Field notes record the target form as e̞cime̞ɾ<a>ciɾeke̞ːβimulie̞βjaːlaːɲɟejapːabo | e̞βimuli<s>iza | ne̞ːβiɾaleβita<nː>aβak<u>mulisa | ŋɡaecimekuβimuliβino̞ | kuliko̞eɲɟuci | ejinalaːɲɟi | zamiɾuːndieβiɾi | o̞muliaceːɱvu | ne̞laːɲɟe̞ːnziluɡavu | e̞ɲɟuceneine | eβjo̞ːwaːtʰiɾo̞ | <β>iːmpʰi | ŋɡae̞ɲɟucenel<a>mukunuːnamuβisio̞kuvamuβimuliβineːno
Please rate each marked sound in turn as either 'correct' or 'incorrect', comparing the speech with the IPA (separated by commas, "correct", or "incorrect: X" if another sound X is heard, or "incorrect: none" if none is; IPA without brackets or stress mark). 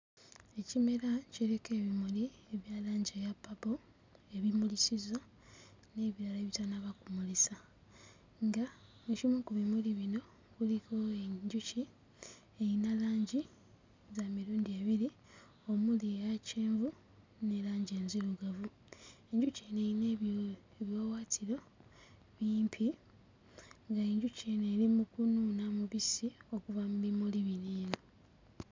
correct, correct, incorrect: n, correct, correct, incorrect: i